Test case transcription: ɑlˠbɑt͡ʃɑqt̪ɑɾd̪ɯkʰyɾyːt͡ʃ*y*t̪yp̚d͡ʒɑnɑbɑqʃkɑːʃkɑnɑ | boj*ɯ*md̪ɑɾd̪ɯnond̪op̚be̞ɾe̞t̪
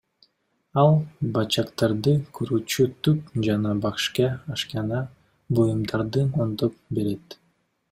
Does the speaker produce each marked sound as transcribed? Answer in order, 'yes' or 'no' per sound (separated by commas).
yes, no